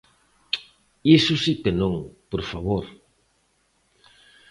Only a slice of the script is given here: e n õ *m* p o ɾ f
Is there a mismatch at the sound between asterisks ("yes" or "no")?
yes